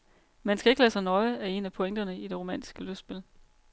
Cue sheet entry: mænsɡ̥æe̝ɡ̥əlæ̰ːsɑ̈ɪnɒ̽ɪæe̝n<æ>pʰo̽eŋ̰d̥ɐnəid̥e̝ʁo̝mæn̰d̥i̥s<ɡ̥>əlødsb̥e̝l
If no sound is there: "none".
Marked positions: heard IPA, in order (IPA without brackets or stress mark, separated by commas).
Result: æ, ɡ̥